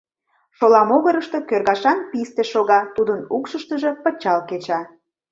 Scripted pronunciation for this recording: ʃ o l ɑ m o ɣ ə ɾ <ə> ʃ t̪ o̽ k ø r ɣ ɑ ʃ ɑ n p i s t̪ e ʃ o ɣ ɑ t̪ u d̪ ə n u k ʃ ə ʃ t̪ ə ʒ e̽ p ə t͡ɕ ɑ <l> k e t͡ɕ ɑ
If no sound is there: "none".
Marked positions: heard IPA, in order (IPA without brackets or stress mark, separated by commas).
ə, l